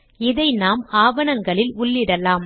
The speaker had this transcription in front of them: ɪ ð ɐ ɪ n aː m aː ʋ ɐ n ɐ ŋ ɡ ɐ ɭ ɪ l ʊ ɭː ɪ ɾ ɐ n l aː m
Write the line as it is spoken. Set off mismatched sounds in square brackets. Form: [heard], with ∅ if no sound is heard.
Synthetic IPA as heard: ɪ ð ɐ ɪ n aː m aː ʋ ɐ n ɐ ŋ ɡ ɐ ɭ ɪ l ʊ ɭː ɪ [ɽ] ɐ [∅] l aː m

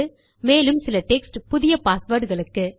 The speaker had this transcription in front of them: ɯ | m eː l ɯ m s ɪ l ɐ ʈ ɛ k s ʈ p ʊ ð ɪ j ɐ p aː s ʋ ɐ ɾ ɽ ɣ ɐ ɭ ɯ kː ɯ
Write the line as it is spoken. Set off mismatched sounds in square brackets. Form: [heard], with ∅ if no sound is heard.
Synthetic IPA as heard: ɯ | m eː l ɯ m s ɪ l ɐ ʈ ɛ k s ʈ p ʊ ð ɪ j ɐ p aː s ʋ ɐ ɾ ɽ ɣ ɐ ɭ ɯ kː ɯ

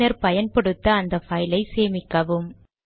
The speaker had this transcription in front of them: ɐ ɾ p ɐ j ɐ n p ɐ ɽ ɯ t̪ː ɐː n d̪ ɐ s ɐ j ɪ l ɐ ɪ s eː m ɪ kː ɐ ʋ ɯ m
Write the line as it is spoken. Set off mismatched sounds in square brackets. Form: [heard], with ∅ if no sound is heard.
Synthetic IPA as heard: ɐ ɾ p ɐ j ɐ n p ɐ ɽ ɯ t̪ː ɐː n d̪ ɐ [f] ɐ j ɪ l ɐ ɪ s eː m ɪ kː ɐ ʋ ɯ m

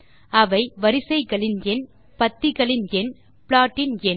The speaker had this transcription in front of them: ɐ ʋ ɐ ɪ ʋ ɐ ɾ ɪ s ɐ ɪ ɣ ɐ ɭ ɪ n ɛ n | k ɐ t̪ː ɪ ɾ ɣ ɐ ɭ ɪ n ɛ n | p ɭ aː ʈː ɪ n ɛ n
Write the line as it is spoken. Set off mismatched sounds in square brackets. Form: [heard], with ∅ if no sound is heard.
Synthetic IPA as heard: ɐ ʋ ɐ ɪ ʋ ɐ ɾ ɪ s ɐ ɪ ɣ ɐ ɭ ɪ n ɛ n | [p] ɐ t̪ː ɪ [∅] ɣ ɐ ɭ ɪ n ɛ n | p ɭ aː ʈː ɪ n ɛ n

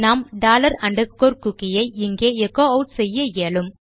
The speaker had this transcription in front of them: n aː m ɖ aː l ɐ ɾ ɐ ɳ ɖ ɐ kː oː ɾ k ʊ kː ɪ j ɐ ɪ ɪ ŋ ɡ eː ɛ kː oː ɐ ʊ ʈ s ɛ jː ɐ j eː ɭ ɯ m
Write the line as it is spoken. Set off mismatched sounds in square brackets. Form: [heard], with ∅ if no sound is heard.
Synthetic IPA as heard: n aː m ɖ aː l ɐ ɾ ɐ ɳ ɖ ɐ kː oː ɾ k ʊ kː ɪ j ɐ ɪ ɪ ŋ ɡ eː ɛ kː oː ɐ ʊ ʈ s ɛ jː ɐ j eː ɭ ɯ m

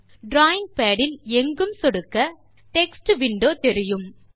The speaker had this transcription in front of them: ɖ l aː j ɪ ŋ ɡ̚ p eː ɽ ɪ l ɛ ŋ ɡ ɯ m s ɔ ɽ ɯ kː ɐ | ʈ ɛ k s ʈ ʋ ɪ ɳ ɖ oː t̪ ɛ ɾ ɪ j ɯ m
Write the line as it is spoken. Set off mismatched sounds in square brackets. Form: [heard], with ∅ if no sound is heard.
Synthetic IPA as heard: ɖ [ɾ] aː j ɪ ŋ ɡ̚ p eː ɽ ɪ l ɛ ŋ ɡ ɯ m s ɔ ɽ ɯ kː ɐ | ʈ ɛ k s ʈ ʋ ɪ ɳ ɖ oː t̪ ɛ ɾ ɪ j ɯ m

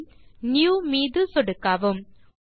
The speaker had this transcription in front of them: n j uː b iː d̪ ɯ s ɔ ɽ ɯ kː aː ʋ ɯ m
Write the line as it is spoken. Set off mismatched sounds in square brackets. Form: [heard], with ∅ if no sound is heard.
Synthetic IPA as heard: n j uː [m] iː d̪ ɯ s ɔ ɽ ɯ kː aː ʋ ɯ m

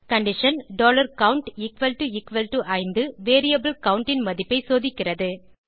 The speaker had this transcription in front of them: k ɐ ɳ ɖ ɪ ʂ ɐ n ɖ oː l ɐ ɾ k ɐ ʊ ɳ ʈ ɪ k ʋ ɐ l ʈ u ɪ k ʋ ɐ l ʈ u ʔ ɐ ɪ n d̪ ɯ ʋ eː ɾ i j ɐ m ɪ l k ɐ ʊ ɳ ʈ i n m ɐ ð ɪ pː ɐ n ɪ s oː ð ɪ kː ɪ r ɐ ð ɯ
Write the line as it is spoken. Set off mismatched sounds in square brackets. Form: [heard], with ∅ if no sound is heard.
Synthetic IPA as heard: k ɐ ɳ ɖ ɪ ʂ ɐ n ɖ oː l ɐ ɾ k ɐ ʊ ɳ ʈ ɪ k ʋ ɐ l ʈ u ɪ k ʋ ɐ l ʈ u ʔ ɐ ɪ n d̪ ɯ ʋ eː ɾ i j ɐ [b] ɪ l k ɐ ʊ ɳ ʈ [ɪ] n m ɐ ð ɪ pː ɐ [∅] ɪ s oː ð ɪ kː ɪ r ɐ ð ɯ

